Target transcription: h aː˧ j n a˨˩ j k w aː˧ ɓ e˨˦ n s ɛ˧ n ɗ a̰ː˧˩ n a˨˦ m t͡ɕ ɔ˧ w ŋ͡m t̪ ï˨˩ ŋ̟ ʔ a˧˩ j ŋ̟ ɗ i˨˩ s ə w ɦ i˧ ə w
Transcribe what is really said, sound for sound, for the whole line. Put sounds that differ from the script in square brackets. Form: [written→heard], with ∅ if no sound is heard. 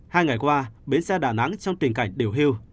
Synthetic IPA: h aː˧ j [n→ŋ] a˨˩ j k w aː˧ ɓ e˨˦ n s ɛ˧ [n→∅] ɗ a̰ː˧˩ n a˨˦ [m→ŋ] t͡ɕ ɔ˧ w ŋ͡m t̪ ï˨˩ ŋ̟ [ʔ→k] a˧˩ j ŋ̟ ɗ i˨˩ [s→∅] ə w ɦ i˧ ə w